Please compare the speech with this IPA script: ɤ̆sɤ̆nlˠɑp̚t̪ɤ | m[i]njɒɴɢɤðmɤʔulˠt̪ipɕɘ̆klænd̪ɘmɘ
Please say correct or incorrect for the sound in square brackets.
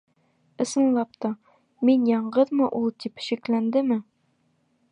correct